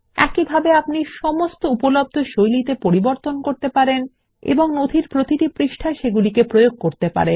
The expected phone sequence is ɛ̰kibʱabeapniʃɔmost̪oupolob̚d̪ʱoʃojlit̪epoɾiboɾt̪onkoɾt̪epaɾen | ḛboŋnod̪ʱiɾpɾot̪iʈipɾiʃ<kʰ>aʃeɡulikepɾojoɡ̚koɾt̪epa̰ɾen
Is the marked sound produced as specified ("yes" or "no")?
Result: no